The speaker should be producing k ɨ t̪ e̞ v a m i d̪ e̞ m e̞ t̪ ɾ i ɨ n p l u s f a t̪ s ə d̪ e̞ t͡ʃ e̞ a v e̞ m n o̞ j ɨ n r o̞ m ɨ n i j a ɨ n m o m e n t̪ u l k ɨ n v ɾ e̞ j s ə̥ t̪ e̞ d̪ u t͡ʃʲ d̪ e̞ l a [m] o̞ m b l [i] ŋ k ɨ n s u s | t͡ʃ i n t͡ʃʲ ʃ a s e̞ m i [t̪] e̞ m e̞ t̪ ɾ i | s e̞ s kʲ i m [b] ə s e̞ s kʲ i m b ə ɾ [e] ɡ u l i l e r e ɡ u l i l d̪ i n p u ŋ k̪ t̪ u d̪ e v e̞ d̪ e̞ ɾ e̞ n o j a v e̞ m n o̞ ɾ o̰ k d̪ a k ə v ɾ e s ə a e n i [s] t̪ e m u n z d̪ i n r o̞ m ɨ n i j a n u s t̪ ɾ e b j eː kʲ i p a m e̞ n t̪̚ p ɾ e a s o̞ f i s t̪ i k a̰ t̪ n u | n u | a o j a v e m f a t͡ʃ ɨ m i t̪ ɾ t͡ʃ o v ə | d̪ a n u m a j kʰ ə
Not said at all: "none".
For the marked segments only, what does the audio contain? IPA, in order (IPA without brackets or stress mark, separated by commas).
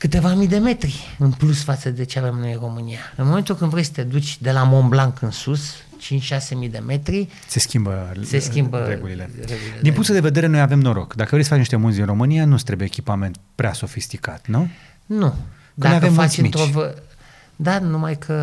m, a, d̪, b, e, ʃ